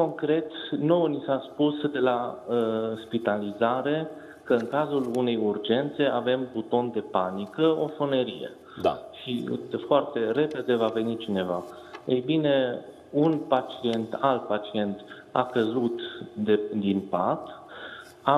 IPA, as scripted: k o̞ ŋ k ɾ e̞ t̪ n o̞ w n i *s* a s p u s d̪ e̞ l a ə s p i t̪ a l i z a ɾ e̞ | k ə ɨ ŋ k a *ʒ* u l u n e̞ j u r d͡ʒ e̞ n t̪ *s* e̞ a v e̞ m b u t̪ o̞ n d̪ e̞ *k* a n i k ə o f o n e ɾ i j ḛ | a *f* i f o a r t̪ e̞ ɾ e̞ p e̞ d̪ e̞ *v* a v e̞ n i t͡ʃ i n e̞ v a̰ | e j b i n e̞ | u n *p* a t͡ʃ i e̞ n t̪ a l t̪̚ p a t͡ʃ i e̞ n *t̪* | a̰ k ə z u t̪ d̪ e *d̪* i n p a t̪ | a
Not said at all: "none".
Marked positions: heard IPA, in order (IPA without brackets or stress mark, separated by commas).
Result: s, z, s, p, ʃ, v, p, t̪, d̪